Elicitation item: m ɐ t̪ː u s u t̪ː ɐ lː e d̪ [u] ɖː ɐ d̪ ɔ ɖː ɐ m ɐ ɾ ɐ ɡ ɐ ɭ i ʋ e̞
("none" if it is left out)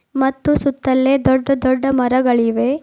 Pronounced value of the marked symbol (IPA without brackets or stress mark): ɔ